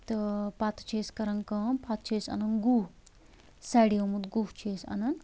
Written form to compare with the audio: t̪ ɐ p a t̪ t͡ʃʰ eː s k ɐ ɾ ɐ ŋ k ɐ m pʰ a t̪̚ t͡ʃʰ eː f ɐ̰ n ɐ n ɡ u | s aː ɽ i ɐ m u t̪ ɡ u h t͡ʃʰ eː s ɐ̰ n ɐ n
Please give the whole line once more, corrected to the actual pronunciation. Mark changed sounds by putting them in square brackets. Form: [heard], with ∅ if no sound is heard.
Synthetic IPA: t̪ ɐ p a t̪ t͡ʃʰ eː s k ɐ ɾ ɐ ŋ k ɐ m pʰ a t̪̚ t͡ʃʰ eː [s] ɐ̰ n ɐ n ɡ u | s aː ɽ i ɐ m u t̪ ɡ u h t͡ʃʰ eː s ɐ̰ n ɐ n